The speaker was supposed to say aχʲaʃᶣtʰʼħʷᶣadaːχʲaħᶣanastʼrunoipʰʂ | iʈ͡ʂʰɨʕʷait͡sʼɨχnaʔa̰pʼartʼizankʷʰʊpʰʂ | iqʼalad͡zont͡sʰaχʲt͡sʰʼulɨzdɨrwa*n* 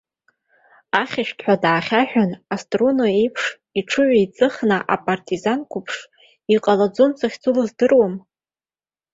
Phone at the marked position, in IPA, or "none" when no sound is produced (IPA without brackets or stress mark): m